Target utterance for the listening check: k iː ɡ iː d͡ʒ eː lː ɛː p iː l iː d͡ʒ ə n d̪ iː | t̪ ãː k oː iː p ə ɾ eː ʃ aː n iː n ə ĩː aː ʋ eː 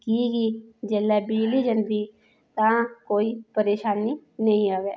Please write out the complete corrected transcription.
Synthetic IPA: k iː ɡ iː d͡ʒ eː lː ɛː b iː l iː d͡ʒ ə n d̪ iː | t̪ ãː k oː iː p ə ɾ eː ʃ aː n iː n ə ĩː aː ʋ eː